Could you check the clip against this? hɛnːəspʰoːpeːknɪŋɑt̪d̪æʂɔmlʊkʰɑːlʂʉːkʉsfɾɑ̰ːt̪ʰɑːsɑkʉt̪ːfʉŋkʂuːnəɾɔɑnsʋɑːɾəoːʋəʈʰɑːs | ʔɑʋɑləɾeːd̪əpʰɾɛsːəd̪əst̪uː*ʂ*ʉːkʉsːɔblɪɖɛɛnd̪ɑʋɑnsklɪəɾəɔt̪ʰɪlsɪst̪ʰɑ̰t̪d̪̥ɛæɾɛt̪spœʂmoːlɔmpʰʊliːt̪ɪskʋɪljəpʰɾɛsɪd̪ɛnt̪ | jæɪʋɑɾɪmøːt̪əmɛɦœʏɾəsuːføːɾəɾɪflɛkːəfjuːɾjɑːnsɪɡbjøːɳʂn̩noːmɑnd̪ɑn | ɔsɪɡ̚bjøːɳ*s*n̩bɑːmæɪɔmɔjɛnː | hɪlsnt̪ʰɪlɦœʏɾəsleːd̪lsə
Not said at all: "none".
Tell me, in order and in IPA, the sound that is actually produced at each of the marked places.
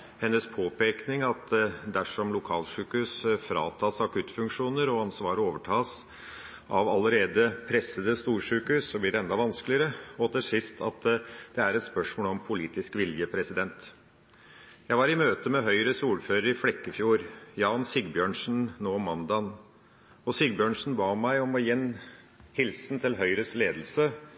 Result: ʂ, ʂ

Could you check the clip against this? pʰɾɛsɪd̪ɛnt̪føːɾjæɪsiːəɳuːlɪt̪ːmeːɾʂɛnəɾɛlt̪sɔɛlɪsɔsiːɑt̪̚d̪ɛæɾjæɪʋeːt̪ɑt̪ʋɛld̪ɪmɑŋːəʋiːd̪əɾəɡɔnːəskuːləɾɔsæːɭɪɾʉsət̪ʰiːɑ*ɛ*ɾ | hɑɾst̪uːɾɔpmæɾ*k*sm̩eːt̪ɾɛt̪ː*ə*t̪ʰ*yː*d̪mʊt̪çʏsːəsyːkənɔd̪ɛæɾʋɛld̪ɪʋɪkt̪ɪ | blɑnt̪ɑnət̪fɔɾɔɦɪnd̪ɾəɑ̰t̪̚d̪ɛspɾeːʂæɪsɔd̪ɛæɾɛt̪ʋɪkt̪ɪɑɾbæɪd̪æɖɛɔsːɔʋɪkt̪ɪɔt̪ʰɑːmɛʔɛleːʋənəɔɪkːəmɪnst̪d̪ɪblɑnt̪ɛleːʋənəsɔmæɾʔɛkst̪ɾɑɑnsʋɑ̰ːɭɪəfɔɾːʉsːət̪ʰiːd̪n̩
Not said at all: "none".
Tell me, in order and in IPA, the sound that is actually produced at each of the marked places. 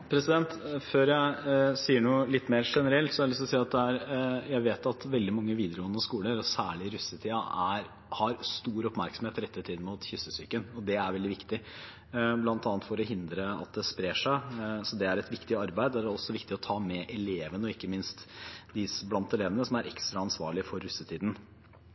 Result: æ, k, ə, iː

